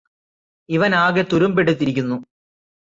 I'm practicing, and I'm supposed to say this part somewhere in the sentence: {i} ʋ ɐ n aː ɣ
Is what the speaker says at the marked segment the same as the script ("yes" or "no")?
yes